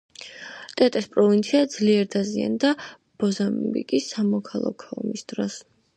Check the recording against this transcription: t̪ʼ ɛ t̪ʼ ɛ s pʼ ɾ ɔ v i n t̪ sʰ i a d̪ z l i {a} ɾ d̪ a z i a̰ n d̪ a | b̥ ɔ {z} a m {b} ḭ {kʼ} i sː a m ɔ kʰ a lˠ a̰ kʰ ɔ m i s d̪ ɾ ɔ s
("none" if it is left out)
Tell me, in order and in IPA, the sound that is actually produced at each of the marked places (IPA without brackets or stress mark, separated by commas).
ɛ, z, b, kʼ